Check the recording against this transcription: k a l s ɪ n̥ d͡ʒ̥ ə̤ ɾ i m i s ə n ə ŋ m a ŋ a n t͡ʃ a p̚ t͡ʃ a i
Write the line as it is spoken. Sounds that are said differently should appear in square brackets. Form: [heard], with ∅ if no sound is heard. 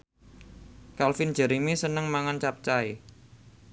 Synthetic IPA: k a l [f] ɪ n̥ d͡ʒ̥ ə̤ ɾ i m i s ə n ə ŋ m a ŋ a n t͡ʃ a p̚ t͡ʃ a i

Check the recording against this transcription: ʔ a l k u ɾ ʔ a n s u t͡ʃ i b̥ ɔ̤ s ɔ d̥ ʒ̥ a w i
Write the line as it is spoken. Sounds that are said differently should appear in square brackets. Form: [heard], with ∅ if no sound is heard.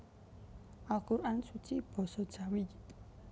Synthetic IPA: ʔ a l k u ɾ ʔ a n s u t͡ʃ i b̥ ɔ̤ s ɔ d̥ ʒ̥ a w i

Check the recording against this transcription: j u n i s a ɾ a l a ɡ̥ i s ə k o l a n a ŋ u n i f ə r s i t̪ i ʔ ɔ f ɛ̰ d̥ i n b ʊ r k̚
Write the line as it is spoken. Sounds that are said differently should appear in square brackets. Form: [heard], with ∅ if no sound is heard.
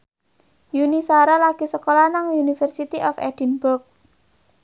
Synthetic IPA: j u n i s a ɾ a l a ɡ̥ i s ə k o l a n a ŋ u n i f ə r s i t̪ i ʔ ɔ f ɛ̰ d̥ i n b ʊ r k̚

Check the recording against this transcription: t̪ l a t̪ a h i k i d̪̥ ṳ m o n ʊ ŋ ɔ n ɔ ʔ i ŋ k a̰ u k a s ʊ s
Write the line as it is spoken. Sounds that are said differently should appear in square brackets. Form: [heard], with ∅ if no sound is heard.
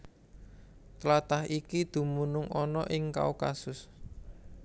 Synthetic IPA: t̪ l a t̪ a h i k i d̪̥ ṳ m [u] n ʊ ŋ ɔ n ɔ ʔ [ɪ] ŋ k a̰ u k a s ʊ s

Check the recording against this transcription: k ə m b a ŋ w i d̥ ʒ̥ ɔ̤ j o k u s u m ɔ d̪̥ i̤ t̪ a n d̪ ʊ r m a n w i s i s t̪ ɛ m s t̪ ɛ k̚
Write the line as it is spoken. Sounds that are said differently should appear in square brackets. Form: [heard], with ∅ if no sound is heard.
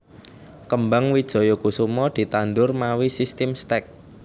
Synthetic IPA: k ə m b a ŋ w i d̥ ʒ̥ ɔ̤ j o k u s u m ɔ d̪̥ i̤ t̪ a n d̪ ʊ r m a [∅] w i s i s t̪ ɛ m s t̪ ɛ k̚

